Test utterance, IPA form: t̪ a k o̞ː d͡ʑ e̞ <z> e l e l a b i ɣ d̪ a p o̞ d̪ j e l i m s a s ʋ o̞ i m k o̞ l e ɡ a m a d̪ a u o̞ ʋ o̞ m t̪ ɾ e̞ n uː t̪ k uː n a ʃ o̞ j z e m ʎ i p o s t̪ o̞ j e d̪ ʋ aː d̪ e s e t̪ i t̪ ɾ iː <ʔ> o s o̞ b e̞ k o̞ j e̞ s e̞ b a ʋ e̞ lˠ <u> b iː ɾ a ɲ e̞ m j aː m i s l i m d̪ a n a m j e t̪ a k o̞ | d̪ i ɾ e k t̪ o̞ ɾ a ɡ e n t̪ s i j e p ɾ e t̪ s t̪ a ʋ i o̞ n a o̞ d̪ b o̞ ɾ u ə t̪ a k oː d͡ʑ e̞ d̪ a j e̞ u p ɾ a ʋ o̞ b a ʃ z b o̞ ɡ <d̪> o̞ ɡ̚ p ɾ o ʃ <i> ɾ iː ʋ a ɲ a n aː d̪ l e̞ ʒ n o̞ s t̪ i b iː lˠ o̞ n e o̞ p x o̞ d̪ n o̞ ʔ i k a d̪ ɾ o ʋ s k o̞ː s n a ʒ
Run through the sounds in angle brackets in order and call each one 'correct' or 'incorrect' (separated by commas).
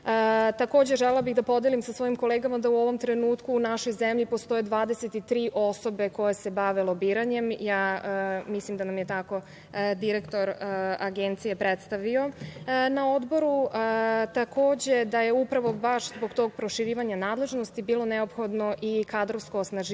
incorrect, correct, incorrect, incorrect, correct